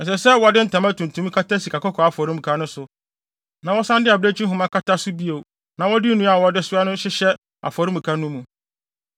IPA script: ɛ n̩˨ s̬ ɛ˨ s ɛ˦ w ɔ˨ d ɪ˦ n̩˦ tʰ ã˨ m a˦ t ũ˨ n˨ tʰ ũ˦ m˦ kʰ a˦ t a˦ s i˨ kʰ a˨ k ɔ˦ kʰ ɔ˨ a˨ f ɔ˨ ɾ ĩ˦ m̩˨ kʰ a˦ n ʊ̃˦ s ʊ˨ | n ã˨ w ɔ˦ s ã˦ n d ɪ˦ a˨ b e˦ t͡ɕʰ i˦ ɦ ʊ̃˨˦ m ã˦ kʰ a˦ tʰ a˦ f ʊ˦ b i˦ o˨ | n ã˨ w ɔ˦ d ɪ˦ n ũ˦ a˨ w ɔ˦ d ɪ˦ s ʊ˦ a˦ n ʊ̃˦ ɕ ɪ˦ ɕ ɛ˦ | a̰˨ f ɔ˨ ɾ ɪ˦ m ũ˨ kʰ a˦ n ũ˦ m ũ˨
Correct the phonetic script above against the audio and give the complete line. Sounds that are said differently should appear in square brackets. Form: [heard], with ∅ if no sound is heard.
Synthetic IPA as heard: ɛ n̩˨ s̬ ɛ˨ s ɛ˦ w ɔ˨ d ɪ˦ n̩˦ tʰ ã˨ m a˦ t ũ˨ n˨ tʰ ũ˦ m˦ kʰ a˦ t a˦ s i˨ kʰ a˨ k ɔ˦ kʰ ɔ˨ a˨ f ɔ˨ ɾ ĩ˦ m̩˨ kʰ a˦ n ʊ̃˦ s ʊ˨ | n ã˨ w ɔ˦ s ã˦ n d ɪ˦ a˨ b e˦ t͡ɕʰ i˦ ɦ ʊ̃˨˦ m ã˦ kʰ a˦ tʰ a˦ [s] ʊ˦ b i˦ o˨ | n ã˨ w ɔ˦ d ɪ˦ n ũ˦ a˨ w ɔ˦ d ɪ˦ s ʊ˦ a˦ n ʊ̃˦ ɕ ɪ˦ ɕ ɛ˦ | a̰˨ f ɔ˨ ɾ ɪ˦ m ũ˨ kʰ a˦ n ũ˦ m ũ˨